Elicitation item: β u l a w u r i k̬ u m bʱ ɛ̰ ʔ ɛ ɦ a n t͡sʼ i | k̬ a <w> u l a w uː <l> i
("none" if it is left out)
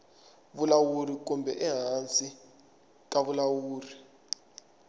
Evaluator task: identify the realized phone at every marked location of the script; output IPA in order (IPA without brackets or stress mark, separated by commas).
β, r